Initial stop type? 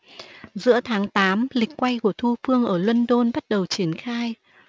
aspirated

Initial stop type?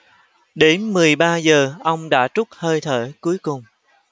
implosive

